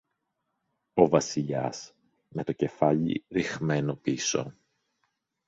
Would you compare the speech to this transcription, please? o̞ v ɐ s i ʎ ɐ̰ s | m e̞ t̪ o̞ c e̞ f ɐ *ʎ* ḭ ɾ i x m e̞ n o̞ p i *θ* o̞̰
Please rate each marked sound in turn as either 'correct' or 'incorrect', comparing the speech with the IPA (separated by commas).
correct, incorrect